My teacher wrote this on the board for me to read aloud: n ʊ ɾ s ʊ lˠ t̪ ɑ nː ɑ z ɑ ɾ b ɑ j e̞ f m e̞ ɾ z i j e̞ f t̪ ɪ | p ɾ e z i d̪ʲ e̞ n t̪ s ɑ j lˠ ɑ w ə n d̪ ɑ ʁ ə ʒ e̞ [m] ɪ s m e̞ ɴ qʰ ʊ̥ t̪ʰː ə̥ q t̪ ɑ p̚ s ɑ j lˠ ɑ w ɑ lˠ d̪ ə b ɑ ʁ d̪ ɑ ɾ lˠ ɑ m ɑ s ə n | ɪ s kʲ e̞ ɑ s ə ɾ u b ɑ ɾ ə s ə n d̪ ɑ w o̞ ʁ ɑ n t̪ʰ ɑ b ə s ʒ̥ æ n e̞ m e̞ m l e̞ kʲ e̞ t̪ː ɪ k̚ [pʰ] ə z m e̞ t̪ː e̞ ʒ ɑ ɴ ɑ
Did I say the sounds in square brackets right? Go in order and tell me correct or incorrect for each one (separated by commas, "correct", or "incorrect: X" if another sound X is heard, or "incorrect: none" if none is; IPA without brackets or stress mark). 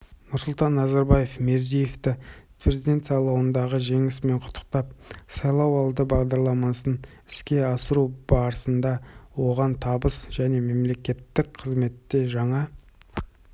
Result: incorrect: ŋ, incorrect: qʰ